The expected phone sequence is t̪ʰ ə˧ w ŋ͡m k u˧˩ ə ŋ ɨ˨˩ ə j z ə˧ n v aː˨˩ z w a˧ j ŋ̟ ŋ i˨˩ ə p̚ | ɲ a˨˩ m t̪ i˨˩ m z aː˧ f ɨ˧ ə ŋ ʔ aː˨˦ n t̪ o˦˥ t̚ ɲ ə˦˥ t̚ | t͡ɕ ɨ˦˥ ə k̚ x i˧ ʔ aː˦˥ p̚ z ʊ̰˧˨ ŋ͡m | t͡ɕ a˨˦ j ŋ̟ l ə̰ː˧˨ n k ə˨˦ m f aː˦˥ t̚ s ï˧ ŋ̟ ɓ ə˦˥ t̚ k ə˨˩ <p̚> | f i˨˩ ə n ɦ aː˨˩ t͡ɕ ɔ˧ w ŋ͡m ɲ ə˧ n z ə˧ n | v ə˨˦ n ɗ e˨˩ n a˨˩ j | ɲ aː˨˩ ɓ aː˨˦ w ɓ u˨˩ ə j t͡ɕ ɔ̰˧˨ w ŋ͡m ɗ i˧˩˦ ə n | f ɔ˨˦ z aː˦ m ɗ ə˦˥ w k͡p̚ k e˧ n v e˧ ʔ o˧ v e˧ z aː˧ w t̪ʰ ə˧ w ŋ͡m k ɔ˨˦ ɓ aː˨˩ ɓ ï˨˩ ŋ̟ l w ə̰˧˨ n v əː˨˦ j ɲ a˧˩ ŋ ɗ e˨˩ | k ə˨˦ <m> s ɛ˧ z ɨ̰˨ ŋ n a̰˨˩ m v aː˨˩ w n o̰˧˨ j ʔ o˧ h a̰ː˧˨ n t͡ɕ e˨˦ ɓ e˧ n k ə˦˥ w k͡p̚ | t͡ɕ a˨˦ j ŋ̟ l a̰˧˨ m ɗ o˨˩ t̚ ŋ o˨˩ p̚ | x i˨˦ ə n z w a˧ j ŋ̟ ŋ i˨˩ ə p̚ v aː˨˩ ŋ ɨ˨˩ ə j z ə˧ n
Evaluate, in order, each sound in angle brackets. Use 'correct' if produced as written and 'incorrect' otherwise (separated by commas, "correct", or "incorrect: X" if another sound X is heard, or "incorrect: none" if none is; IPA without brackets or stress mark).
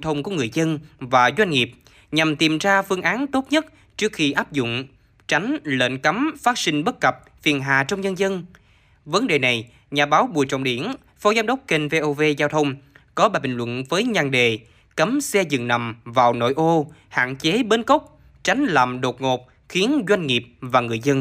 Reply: correct, correct